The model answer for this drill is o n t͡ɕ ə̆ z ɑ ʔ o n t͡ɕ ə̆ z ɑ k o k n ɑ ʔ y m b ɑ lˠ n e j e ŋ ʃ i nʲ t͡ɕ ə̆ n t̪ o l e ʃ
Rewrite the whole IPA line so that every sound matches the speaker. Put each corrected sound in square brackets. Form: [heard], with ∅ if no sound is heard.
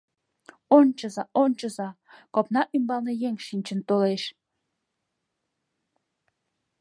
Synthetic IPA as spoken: o n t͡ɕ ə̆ z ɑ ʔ o n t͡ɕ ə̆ z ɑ k o [p] n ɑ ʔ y m b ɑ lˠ n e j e ŋ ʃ i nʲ t͡ɕ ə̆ n t̪ o l e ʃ